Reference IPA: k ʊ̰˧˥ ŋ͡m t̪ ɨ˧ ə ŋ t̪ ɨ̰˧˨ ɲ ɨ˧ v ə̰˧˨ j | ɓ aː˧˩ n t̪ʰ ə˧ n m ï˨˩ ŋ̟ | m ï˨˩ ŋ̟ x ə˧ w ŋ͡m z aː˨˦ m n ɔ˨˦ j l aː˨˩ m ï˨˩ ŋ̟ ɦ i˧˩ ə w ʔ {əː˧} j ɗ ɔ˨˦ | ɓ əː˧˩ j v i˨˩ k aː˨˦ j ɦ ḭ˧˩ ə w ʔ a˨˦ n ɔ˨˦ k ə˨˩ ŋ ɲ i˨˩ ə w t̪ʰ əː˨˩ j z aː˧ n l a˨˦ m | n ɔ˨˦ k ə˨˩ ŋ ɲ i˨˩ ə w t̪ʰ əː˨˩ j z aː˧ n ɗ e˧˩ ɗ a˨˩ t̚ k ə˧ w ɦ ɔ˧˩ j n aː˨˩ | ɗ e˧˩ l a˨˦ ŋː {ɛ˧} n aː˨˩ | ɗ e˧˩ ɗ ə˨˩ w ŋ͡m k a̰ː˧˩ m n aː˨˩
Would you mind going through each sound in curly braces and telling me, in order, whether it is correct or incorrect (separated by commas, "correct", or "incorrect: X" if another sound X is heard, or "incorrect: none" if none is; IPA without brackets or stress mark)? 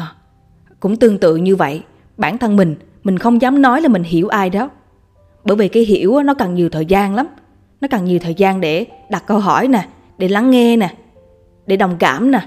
incorrect: aː˧, correct